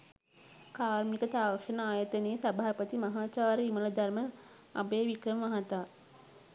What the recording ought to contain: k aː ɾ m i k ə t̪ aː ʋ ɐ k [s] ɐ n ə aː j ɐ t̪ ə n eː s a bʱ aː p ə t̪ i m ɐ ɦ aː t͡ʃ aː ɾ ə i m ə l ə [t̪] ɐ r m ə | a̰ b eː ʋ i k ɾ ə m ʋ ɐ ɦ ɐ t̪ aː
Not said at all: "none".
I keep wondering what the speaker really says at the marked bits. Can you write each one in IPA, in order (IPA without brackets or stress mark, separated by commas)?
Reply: ʂ, d̪